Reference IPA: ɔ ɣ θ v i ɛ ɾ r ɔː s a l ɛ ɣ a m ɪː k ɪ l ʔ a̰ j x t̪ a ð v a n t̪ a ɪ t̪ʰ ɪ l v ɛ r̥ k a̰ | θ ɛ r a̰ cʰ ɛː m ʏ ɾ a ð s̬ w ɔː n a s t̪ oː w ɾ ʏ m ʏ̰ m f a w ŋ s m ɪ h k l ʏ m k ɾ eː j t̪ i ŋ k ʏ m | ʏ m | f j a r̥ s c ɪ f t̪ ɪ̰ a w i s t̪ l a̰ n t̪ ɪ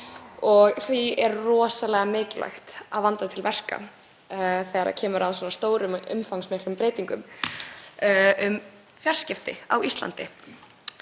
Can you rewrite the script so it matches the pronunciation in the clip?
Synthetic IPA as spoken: ɔ ɣ θ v i ɛ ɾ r ɔː s a l ɛ ɣ a m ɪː c ɪ l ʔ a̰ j x t̪ a ð v a n t̪ a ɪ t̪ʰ ɪ l v ɛ r̥ k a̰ | θ ɛ ɾ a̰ cʰ ɛː m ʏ ɾ a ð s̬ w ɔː n a s t̪ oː w ɾ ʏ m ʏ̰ m f a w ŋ s m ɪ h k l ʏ m p ɾ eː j t̪ i ŋ k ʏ m | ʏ m | f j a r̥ s c ɪ f t̪ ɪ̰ a w i s t̪ l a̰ n t̪ ɪ